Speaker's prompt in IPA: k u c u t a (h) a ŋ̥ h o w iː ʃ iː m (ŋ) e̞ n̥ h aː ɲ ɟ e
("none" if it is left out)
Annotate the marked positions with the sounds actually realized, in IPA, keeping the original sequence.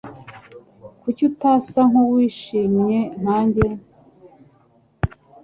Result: s, ɲ

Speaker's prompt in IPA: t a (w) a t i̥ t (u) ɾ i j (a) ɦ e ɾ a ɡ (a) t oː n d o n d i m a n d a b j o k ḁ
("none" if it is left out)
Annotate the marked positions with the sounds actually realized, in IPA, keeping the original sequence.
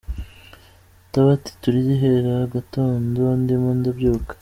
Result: β, u, i, a

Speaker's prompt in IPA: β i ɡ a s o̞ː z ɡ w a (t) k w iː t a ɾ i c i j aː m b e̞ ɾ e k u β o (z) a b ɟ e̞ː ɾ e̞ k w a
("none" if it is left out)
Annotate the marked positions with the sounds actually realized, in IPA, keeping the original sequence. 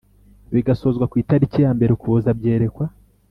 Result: none, z

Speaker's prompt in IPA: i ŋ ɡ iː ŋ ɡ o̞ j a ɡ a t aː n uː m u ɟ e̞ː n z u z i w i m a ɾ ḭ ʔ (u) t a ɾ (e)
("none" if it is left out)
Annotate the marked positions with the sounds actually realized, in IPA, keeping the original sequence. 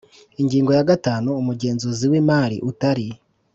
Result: u, i

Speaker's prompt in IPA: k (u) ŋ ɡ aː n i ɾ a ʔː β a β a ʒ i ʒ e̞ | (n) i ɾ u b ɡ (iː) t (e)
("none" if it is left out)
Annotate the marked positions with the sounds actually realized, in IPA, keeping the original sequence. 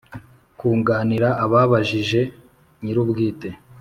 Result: uː, ɲ, iː, e

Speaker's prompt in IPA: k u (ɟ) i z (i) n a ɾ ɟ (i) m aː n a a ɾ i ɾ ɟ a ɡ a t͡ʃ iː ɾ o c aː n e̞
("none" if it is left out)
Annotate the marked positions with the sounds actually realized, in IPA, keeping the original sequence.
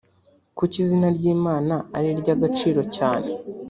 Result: c, i, iː

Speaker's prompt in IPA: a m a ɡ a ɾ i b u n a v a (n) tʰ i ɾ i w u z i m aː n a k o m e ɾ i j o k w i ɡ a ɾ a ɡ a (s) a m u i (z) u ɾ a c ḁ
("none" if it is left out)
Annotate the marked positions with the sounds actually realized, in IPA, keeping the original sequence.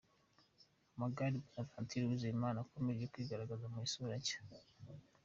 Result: n, z, s

